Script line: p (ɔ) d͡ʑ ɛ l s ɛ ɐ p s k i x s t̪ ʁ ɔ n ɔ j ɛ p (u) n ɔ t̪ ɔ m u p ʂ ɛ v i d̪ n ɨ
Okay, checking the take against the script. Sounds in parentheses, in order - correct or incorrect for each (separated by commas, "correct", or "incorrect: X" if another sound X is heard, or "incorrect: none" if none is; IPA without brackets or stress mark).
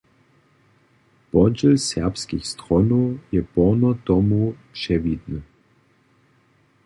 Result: correct, incorrect: ɔ